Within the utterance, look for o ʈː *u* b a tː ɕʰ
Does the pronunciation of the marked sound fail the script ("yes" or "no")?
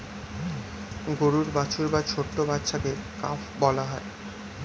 yes